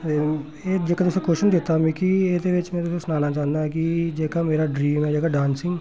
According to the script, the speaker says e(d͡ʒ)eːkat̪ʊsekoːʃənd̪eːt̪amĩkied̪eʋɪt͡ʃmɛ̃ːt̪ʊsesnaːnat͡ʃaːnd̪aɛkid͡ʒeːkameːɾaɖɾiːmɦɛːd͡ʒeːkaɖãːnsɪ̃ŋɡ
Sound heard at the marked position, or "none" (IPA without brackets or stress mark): d͡ʒ